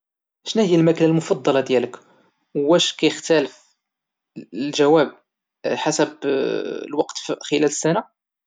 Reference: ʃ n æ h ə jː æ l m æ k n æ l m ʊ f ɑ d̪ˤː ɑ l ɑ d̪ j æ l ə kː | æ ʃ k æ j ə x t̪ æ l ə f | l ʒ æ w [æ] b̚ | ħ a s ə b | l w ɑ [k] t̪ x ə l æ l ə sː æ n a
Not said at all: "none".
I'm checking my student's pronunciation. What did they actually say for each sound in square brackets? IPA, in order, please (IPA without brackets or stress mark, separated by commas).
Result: æ, q